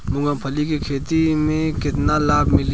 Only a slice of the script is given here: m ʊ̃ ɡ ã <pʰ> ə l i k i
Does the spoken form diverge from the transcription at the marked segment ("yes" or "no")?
no